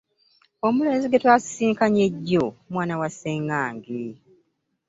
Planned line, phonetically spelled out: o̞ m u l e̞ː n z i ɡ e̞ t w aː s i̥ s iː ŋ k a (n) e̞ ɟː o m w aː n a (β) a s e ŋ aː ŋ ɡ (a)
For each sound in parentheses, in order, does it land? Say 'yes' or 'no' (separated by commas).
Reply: no, no, no